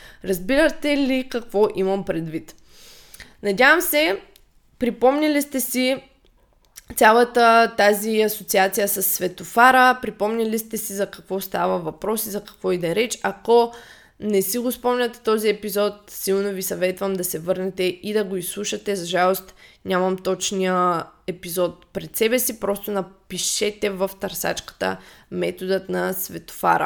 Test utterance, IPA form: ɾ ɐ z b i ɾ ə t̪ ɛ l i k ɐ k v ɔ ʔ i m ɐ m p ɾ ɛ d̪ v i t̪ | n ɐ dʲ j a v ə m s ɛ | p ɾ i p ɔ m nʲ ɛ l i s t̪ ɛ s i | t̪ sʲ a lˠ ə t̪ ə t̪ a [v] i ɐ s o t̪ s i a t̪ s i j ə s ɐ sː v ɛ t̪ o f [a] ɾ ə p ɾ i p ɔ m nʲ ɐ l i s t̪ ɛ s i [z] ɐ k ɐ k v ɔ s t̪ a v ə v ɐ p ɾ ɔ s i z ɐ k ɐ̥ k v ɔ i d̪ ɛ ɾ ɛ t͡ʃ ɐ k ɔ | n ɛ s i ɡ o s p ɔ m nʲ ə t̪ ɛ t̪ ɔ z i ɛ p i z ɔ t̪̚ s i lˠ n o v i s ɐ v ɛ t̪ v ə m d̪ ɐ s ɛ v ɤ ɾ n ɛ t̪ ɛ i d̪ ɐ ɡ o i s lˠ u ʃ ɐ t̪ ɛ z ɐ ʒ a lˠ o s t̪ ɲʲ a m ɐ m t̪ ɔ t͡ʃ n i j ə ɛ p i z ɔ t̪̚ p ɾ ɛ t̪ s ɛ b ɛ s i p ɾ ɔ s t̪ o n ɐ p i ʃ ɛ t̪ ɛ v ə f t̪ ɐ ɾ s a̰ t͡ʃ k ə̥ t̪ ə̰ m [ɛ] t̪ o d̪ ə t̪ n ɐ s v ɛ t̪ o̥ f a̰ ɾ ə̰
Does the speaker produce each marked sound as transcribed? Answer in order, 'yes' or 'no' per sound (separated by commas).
no, yes, yes, yes